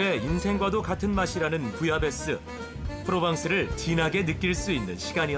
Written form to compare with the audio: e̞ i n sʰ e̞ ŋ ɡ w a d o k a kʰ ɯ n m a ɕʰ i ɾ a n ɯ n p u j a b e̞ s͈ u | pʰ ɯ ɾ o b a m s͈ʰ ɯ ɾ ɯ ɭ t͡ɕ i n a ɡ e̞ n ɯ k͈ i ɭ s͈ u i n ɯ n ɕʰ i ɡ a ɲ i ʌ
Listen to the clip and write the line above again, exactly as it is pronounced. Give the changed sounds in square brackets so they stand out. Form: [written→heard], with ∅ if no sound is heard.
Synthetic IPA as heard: e̞ i n sʰ e̞ ŋ ɡ w a d o k a [kʰ→tʰ] ɯ n m a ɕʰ i ɾ a n ɯ n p u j a b e̞ s͈ [u→ɯ] | pʰ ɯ ɾ o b a [m→ŋ] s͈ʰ ɯ ɾ ɯ ɭ t͡ɕ i n a ɡ e̞ n ɯ k͈ i ɭ s͈ u i [n→nː] ɯ n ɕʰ i ɡ a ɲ i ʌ